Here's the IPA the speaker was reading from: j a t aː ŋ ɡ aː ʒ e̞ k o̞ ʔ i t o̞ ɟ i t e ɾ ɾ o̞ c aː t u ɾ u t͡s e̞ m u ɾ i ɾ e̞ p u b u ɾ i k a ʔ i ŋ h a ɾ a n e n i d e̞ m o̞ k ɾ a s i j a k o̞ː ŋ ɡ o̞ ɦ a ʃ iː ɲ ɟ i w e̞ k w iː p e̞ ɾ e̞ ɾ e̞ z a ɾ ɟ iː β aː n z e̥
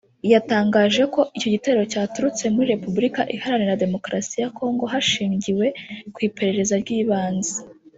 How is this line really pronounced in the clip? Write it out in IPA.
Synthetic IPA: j a t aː ŋ ɡ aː ʒ e̞ k o̞ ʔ i c o̞ ɟ i t e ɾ ɾ o̞ c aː t u ɾ u t͡s e̞ m u ɾ i ɾ e̞ p u b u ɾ i k a ʔ i h a ɾ a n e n a d e̞ m o̞ k ɾ a s i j a k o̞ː ŋ ɡ o̞ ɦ a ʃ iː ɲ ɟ i w e̞ k w iː p e̞ ɾ e̞ ɾ e̞ z a ɾ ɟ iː β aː n z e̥